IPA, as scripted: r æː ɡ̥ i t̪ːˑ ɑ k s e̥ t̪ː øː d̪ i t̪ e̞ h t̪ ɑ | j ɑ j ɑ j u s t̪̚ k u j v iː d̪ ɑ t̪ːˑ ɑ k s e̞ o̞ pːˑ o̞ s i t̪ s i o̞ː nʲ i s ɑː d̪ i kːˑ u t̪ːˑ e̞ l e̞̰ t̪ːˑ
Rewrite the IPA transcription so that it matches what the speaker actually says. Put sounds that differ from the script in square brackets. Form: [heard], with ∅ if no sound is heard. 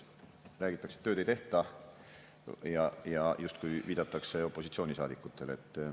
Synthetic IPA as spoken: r æː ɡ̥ i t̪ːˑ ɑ k s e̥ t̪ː øː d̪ [e] t̪ e̞ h t̪ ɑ | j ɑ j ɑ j u s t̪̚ k u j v iː d̪ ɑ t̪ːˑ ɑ k s e̞ o̞ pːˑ o̞ s i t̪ s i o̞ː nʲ i s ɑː d̪ i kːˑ u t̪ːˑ e̞ l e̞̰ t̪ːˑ